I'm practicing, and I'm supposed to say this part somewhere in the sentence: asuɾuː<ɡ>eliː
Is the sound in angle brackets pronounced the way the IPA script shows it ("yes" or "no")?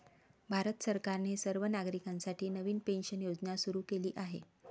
no